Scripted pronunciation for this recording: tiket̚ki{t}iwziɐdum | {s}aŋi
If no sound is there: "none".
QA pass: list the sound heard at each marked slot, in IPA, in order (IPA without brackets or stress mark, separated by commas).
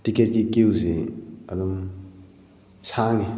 k, s